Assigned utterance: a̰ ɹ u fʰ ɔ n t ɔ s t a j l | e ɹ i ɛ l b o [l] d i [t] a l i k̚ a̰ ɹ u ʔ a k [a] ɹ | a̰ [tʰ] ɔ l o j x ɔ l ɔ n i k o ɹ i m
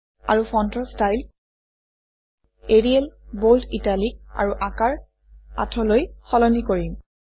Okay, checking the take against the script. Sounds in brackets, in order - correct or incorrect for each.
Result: correct, correct, correct, correct

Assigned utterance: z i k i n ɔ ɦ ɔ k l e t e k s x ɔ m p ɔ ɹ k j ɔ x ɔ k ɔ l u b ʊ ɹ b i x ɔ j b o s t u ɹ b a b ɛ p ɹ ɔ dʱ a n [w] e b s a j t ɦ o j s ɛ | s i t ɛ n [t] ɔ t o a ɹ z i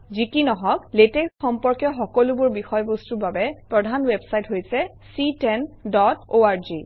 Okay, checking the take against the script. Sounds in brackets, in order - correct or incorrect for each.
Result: correct, incorrect

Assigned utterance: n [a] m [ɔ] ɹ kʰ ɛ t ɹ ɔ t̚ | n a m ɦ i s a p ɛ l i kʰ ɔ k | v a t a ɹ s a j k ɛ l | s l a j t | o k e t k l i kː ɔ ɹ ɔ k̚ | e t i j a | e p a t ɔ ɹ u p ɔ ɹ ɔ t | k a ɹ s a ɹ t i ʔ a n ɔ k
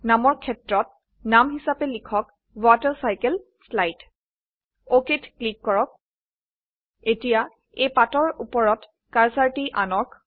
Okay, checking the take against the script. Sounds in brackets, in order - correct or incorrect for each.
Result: correct, correct

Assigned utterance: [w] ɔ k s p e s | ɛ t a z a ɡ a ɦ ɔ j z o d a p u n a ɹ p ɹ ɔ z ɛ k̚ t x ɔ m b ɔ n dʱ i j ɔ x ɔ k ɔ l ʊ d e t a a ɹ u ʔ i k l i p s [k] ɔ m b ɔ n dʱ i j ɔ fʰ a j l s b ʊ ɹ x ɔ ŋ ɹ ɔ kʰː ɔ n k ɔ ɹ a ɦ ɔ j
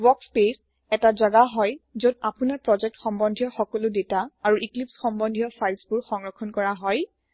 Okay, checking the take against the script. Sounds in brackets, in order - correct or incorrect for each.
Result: correct, incorrect

